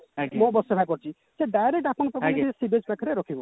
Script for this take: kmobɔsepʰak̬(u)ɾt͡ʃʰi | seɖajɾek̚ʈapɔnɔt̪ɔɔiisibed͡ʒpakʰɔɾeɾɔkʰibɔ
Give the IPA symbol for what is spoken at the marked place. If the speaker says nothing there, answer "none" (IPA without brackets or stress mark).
ɔ